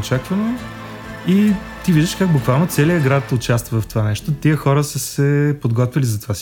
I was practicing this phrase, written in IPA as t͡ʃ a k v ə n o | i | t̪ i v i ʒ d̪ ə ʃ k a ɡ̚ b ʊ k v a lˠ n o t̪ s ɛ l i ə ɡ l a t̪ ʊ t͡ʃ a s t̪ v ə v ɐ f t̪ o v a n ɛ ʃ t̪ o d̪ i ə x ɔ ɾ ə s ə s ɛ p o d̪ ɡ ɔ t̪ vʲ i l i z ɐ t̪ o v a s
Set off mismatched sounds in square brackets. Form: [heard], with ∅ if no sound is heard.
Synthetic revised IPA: t͡ʃ a k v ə n o | i | t̪ i v i ʒ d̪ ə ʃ k a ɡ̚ b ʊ k v a lˠ n o t̪ s ɛ l i ə ɡ [ɾ] a t̪ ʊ t͡ʃ a s t̪ v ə v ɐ f t̪ o v a n ɛ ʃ t̪ o [t̪] i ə x ɔ ɾ ə s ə s ɛ p o d̪ ɡ ɔ t̪ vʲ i l i z ɐ t̪ o v a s